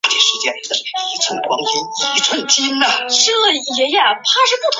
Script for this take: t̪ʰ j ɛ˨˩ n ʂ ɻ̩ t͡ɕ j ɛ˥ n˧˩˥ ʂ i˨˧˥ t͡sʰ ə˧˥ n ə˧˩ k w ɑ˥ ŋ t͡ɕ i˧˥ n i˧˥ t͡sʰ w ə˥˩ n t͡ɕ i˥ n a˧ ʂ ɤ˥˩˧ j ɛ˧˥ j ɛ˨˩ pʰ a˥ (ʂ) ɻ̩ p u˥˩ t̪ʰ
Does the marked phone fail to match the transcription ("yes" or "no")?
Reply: no